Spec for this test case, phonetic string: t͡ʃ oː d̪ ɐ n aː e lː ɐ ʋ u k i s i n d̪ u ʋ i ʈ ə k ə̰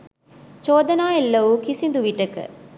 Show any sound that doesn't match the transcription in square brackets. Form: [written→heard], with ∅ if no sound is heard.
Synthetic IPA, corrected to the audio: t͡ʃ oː d̪ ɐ n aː e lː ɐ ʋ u k i s i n d̪ u ʋ i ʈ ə k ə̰